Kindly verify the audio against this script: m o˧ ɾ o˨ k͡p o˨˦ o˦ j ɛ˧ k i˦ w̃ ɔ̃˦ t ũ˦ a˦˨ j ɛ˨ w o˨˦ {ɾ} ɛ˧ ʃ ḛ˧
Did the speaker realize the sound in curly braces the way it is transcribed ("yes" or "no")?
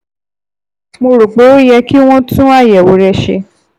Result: yes